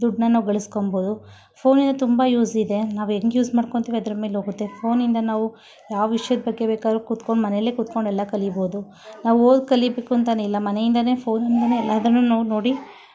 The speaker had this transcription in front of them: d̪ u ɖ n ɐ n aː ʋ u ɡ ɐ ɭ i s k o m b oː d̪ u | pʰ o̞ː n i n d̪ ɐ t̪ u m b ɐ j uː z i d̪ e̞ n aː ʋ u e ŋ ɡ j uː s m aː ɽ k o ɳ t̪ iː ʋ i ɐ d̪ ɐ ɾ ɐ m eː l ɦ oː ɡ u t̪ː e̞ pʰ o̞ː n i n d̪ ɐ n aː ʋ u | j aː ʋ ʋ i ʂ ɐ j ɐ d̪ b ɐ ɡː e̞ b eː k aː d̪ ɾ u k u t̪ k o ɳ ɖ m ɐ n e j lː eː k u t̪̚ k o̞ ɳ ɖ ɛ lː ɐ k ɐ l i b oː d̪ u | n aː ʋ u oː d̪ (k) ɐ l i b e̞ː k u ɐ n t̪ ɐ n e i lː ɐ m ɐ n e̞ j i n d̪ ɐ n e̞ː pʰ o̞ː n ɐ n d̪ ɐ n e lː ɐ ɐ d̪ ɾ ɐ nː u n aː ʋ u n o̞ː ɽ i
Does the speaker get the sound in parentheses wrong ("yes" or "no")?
no